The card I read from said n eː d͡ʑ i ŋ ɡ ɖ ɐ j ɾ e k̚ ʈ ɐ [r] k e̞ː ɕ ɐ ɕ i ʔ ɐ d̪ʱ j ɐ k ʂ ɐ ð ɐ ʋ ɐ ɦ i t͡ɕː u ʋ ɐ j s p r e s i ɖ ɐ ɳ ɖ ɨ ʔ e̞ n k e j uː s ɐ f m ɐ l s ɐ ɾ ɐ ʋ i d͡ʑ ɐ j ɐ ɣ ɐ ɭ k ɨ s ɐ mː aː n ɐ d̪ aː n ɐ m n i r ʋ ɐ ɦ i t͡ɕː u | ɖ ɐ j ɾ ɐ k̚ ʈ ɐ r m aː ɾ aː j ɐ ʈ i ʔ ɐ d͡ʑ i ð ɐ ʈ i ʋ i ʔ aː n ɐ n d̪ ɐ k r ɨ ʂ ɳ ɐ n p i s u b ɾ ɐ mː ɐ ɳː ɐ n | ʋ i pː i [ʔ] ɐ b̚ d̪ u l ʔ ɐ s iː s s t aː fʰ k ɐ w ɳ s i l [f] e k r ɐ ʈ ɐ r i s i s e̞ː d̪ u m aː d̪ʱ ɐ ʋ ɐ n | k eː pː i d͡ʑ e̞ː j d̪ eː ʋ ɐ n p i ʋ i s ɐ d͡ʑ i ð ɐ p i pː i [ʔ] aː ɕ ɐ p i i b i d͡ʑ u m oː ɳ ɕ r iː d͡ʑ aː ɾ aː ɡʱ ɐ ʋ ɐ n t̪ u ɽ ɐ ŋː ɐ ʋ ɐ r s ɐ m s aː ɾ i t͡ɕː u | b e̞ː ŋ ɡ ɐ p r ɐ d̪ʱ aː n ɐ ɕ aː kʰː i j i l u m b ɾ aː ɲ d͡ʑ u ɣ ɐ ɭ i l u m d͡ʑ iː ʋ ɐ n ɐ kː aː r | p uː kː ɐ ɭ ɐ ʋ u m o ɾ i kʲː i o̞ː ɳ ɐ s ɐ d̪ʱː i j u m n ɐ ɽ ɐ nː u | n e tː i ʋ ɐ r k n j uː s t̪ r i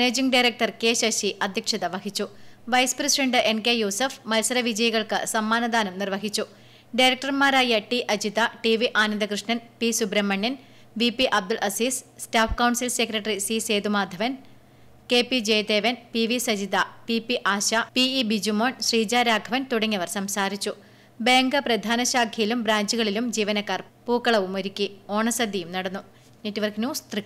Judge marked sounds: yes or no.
yes, yes, no, yes

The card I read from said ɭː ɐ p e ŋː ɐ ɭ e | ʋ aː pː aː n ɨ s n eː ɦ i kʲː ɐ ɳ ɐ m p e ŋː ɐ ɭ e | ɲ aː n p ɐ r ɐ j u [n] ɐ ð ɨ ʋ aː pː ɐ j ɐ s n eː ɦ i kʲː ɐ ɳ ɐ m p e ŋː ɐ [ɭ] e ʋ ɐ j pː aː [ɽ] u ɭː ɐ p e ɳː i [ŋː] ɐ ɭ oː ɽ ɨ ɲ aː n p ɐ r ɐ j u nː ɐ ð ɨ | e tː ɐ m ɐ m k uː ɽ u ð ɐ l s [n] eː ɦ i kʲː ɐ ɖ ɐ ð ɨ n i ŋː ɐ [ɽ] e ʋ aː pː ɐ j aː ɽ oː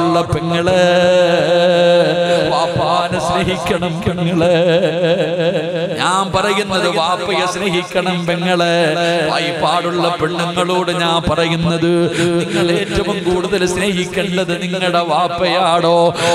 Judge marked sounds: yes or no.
no, yes, yes, yes, yes, yes

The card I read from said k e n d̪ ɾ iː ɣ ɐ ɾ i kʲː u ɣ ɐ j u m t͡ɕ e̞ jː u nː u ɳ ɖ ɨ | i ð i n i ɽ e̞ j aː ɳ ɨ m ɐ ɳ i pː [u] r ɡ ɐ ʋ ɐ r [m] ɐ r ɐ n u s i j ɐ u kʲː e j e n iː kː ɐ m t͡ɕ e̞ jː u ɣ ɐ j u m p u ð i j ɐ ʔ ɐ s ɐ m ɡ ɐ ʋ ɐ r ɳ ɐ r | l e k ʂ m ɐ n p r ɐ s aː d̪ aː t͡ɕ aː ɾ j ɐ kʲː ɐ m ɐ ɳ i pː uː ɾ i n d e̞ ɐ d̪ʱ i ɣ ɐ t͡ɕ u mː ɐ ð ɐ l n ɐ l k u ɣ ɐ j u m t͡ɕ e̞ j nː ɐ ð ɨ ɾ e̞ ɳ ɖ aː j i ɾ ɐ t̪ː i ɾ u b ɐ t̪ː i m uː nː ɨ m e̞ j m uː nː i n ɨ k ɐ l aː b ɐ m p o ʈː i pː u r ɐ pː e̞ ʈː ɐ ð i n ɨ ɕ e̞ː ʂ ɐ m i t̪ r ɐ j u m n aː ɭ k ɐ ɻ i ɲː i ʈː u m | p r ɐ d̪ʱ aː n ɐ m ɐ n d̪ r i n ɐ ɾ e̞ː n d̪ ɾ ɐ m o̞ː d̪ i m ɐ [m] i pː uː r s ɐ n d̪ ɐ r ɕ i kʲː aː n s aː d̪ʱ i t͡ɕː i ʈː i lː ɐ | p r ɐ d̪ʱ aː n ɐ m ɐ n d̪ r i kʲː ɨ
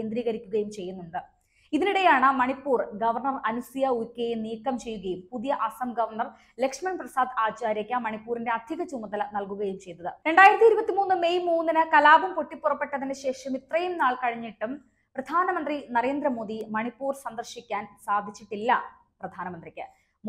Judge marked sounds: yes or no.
no, no, no

